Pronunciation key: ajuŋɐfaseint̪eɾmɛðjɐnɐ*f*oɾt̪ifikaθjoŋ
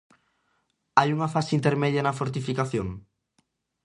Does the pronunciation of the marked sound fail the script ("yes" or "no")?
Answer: no